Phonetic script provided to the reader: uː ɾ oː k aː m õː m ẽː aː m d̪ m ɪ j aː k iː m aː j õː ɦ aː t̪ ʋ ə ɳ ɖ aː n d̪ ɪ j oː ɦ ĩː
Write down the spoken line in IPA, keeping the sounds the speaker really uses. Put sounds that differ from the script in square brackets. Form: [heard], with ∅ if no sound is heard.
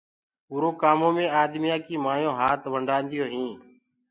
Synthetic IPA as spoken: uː ɾ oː k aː m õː m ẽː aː [∅] d̪ m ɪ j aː k iː m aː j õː ɦ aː t̪ ʋ ə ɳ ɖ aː n d̪ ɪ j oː ɦ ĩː